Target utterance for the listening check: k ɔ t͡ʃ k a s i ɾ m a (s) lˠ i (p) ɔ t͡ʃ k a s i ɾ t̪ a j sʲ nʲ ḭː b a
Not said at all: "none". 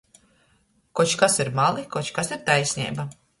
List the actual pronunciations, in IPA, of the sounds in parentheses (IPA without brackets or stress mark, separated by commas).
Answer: none, k